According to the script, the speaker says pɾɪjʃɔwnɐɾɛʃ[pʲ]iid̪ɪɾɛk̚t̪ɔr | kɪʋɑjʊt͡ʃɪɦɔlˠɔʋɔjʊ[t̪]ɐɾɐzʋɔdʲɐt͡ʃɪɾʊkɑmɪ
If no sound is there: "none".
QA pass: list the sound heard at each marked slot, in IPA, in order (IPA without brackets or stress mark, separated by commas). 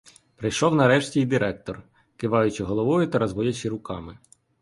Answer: tʲ, t̪